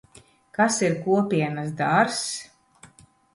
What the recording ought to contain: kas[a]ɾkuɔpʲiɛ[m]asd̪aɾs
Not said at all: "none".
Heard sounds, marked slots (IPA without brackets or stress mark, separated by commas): i, n